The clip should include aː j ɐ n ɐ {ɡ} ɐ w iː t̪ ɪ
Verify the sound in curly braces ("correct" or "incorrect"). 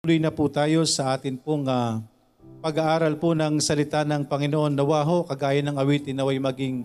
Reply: incorrect